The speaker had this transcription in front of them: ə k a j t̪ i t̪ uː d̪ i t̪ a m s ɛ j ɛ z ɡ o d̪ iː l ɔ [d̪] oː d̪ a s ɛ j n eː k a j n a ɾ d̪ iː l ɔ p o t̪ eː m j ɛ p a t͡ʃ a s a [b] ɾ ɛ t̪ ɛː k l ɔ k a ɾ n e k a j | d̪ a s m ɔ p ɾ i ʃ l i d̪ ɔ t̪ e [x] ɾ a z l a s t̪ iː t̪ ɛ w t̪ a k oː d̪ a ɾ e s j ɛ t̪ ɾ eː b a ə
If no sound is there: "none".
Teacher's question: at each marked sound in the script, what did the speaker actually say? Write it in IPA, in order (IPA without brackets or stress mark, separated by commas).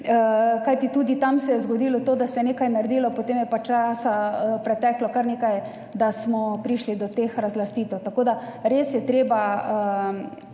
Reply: t̪, p, x